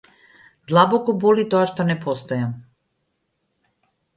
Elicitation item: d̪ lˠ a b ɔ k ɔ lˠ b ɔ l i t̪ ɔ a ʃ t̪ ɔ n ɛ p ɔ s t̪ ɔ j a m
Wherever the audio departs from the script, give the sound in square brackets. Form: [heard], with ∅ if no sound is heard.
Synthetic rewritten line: d̪ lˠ a b ɔ k ɔ [∅] b ɔ l i t̪ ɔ a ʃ t̪ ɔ n ɛ p ɔ s t̪ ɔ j a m